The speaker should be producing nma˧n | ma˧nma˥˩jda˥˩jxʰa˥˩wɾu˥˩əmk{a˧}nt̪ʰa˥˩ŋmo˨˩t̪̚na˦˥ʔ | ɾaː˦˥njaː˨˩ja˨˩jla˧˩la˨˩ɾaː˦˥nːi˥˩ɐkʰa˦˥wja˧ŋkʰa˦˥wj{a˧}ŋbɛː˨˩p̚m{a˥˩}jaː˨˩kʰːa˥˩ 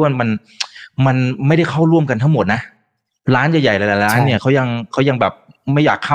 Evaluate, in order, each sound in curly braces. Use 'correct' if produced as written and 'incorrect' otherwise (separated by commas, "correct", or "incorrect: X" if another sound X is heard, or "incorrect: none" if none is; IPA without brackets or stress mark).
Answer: correct, correct, correct